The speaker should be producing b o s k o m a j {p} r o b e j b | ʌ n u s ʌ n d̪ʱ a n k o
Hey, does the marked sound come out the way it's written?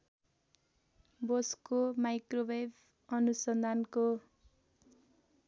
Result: no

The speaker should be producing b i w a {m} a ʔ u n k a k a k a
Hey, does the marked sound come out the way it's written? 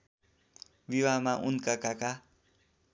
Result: yes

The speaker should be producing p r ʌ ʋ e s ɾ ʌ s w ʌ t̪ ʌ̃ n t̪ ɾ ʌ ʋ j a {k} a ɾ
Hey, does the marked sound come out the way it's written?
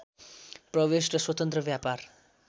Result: no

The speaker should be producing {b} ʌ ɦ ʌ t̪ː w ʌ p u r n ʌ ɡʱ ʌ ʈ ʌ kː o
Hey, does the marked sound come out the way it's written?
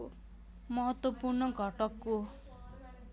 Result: no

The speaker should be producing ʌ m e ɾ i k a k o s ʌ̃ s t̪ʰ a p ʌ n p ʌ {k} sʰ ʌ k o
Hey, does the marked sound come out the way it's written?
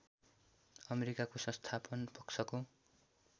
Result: yes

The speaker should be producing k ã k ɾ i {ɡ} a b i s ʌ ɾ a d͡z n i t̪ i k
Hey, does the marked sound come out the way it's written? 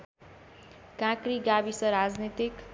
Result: yes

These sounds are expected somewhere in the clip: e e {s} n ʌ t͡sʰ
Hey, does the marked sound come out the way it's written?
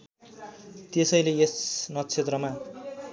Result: yes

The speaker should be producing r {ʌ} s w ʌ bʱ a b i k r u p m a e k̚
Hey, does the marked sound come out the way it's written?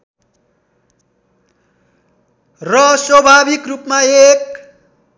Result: yes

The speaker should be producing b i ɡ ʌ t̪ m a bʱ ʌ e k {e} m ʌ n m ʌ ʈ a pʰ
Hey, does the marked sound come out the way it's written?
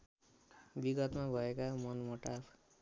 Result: no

